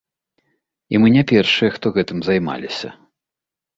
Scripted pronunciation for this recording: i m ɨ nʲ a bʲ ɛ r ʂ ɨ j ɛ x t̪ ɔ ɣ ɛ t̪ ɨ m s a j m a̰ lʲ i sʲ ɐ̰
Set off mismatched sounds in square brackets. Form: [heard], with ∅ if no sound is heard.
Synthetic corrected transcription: i m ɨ nʲ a [pʲ] ɛ r ʂ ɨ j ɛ x t̪ ɔ ɣ ɛ t̪ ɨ m [z] a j m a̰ lʲ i sʲ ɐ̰